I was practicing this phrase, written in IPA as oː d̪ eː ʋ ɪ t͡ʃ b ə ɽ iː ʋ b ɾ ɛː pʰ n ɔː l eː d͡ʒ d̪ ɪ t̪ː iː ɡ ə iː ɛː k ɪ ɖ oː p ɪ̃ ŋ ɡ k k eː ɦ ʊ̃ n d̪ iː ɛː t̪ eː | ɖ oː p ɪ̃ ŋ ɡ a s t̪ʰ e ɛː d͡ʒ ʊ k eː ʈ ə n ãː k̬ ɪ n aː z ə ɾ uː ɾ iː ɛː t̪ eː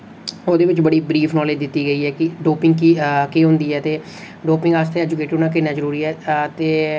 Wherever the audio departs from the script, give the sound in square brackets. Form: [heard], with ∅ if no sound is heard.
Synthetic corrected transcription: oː d̪ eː ʋ ɪ t͡ʃ b ə ɽ iː [∅] b ɾ [iː] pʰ n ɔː l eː d͡ʒ d̪ ɪ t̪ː iː ɡ ə iː ɛː k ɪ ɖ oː p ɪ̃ ŋ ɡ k k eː ɦ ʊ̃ n d̪ iː ɛː t̪ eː | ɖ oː p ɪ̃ ŋ ɡ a s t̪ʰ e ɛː d͡ʒ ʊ k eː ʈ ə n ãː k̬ ɪ n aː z ə ɾ uː ɾ iː ɛː t̪ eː

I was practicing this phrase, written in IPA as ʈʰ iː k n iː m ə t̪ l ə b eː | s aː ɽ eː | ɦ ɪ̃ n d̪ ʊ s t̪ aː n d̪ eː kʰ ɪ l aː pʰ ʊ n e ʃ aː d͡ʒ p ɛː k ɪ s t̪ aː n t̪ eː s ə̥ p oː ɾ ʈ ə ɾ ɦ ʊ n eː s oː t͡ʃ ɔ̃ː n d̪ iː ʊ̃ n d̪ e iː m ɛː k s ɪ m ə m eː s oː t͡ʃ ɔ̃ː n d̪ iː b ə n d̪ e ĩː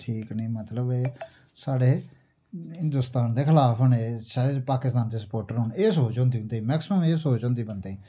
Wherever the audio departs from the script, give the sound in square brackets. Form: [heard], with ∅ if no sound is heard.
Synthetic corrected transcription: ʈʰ iː k n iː m ə t̪ l ə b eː | s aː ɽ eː | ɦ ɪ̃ n d̪ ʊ s t̪ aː n d̪ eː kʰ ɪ l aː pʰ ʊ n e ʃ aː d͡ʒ p [aː] k ɪ s t̪ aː n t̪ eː s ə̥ p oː ɾ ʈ ə ɾ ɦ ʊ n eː s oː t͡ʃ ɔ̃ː n d̪ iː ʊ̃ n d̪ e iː m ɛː k s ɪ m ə m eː s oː t͡ʃ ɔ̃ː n d̪ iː b ə n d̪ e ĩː

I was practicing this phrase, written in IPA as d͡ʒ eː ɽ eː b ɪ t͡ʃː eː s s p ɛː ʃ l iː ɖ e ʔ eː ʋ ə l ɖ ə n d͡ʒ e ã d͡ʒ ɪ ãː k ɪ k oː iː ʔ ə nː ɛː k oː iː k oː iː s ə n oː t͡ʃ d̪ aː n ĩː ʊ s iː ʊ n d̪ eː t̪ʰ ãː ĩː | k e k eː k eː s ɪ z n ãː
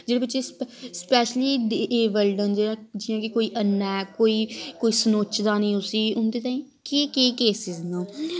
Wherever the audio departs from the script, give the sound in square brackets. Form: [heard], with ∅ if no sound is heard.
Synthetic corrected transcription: d͡ʒ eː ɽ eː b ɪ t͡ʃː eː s s p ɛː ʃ l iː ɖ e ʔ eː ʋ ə l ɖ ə n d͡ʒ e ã d͡ʒ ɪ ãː k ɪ k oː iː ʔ ə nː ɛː k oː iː k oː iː s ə n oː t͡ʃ d̪ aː n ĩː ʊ s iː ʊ n d̪ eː [t̪] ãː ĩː | k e k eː k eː s ɪ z n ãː

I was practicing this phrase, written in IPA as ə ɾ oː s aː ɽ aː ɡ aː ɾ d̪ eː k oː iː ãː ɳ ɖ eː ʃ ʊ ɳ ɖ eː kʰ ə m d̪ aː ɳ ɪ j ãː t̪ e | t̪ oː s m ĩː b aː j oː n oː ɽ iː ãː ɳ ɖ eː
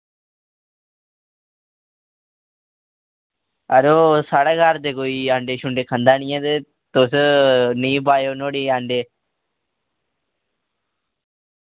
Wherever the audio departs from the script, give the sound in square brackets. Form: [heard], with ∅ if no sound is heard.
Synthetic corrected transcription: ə ɾ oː s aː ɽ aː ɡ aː ɾ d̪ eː k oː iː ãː ɳ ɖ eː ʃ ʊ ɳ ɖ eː kʰ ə [n] d̪ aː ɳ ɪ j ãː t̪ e | t̪ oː s [n] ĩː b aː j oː n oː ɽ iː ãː ɳ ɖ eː

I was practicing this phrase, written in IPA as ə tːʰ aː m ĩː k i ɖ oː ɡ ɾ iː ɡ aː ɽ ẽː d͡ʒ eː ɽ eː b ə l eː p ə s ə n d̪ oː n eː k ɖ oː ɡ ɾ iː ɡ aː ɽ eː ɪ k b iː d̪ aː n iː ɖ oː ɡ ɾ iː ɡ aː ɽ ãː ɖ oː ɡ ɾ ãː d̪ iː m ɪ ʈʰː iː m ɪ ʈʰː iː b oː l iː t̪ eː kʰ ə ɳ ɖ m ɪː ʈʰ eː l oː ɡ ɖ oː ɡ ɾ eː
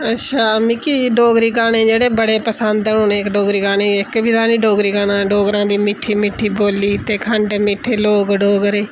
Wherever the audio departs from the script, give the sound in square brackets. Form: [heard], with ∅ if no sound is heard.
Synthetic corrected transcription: ə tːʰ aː m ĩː k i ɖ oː ɡ ɾ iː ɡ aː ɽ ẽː d͡ʒ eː ɽ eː b ə [ɽ] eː p ə s ə n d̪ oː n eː k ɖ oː ɡ ɾ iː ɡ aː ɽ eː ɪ k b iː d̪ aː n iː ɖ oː ɡ ɾ iː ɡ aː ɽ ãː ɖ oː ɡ ɾ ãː d̪ iː m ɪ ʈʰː iː m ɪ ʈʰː iː b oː l iː t̪ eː kʰ ə ɳ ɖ m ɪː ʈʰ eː l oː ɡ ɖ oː ɡ ɾ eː

